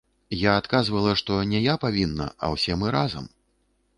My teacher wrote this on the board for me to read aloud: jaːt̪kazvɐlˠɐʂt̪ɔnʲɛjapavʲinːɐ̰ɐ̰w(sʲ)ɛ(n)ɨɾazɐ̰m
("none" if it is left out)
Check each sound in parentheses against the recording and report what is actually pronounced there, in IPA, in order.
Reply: sʲ, m

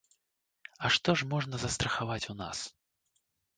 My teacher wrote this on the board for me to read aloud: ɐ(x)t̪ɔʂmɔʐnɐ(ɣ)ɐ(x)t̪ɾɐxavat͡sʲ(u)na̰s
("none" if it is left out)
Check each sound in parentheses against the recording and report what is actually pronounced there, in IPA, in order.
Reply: ʂ, z, s, u

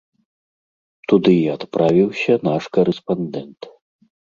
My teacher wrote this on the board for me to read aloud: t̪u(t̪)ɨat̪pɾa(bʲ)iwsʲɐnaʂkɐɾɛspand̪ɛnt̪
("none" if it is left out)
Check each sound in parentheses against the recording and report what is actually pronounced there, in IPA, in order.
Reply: d̪, vʲ

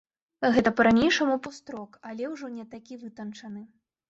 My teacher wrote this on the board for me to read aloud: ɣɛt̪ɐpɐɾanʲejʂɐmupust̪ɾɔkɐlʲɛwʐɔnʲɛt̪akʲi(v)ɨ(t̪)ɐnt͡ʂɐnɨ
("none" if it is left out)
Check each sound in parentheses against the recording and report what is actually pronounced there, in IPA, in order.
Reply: v, t̪

